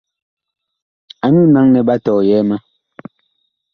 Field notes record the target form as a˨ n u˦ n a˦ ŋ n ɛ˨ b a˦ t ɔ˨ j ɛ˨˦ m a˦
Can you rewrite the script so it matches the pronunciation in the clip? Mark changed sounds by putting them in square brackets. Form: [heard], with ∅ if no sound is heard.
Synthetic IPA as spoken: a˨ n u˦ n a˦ ŋ n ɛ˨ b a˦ t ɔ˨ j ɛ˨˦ m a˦